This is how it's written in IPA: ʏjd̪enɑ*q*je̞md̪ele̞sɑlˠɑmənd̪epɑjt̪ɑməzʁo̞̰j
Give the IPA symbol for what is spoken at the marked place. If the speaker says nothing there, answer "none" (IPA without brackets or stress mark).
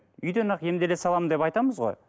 q